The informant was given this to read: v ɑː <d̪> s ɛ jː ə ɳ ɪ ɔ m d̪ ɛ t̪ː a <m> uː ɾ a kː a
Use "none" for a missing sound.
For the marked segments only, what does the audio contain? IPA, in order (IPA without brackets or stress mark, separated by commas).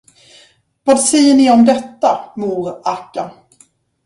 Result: d̪, m